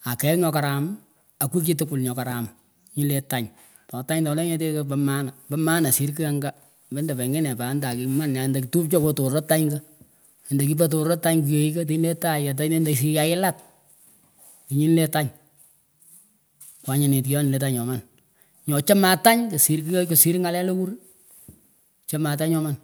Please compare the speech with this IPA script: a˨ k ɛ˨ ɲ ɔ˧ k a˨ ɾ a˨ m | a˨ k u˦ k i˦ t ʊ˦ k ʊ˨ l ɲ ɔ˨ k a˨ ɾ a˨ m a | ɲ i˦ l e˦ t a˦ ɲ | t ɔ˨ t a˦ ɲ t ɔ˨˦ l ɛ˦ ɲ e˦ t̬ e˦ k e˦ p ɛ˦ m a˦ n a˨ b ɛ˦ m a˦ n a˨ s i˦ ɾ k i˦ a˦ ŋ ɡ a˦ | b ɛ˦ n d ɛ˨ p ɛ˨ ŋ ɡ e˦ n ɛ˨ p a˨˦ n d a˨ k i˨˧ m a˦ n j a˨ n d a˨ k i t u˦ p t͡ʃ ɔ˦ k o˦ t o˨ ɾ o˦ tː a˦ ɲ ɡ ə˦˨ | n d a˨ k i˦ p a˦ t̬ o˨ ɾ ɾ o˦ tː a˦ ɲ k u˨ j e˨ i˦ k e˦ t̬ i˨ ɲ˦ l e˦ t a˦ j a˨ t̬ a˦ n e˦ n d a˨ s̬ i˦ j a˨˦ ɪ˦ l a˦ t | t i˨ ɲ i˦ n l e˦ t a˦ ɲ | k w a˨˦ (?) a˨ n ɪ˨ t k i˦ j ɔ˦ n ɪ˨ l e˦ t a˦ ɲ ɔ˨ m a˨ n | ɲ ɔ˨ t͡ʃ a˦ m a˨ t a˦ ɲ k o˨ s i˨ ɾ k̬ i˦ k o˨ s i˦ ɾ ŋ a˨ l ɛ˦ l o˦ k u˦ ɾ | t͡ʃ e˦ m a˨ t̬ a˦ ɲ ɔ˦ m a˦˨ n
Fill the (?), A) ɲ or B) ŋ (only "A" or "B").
A